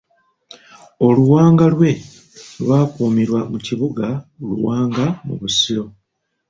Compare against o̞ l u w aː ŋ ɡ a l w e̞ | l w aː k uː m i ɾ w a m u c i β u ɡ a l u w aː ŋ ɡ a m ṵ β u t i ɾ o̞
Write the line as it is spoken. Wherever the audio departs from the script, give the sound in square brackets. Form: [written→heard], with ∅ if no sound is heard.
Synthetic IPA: o̞ l u w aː ŋ ɡ a l w e̞ | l w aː k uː m i ɾ w a m u c i β u ɡ a l u w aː ŋ ɡ a m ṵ β u [t→s] i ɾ o̞